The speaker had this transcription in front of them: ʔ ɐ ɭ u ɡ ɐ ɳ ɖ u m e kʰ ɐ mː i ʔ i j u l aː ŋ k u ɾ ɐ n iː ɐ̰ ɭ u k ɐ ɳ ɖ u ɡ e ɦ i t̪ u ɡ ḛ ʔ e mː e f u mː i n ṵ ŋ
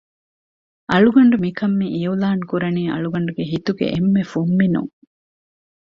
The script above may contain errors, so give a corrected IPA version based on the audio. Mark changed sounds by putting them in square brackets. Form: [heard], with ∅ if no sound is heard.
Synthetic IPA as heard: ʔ ɐ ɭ u ɡ ɐ ɳ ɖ u m [i] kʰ ɐ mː i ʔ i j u l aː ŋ k u ɾ ɐ n iː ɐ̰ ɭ u [ɡ] ɐ ɳ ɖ u ɡ e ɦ i t̪ u ɡ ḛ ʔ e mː e f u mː i n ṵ ŋ